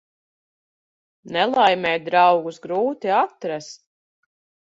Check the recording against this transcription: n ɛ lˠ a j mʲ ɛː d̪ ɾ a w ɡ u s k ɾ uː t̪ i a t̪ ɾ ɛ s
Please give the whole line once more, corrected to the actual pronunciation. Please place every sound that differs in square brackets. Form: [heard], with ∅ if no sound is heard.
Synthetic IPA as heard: n ɛ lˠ a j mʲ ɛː d̪ ɾ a w ɡ u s [ɡ] ɾ uː t̪ i a t̪ ɾ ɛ s